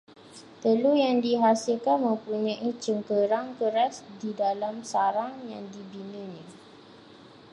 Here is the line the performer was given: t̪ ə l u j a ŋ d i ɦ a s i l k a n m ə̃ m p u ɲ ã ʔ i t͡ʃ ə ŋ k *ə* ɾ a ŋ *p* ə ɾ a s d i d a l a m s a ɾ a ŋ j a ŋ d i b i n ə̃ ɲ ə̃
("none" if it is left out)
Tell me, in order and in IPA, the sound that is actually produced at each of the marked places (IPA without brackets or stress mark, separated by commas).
ə, k